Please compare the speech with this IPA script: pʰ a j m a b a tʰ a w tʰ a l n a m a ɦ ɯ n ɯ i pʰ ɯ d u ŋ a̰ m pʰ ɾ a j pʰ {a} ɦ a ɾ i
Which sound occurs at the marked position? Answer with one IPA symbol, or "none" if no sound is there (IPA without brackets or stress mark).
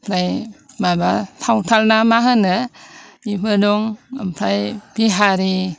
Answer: i